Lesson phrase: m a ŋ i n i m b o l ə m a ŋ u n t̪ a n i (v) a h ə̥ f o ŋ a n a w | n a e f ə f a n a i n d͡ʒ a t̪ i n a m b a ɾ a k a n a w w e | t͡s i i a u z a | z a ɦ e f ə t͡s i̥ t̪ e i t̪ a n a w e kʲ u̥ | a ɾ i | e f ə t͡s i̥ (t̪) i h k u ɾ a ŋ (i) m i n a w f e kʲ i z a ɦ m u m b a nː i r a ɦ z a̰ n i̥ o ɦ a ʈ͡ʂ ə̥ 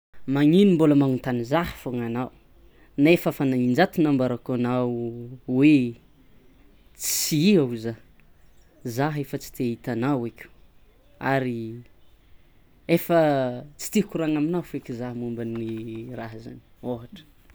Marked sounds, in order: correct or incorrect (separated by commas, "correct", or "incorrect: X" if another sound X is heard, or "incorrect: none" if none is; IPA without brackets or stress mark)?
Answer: incorrect: z, correct, incorrect: a